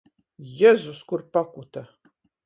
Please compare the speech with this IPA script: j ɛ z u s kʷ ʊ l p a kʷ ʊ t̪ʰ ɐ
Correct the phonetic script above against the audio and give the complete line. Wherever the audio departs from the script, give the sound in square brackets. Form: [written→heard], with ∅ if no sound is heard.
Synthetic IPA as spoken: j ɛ z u s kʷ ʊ [l→r] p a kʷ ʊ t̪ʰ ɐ